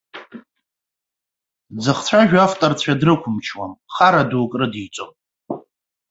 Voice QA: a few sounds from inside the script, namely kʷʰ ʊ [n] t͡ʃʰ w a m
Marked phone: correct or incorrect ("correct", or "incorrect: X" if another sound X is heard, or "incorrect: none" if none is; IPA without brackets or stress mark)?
incorrect: m